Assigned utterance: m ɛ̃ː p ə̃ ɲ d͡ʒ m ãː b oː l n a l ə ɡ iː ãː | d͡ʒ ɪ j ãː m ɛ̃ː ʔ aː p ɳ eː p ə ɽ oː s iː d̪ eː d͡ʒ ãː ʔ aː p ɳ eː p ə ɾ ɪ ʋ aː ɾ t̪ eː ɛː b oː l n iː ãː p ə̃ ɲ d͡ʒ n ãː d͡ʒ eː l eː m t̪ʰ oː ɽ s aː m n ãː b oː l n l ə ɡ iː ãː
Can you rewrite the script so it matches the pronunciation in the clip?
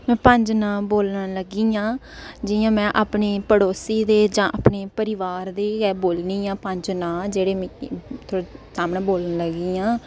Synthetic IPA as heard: m ɛ̃ː p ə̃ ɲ d͡ʒ n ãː b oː l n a l ə ɡ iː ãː | d͡ʒ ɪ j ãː m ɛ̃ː ʔ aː p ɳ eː p ə ɽ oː s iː d̪ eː d͡ʒ ãː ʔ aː p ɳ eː p ə ɾ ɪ ʋ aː ɾ d̪ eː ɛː b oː l n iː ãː p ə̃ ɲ d͡ʒ n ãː d͡ʒ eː ɽ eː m t̪ʰ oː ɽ s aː m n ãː b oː l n l ə ɡ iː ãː